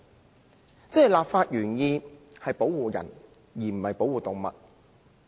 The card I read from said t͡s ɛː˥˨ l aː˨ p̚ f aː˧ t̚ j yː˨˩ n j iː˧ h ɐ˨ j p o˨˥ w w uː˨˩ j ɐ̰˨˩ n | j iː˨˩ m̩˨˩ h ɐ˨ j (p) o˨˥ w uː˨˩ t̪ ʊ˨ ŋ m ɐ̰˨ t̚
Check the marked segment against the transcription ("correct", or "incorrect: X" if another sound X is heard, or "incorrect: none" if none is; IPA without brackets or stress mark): correct